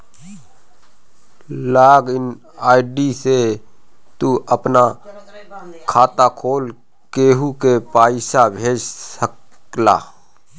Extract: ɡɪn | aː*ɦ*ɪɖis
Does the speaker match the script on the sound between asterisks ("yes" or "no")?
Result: no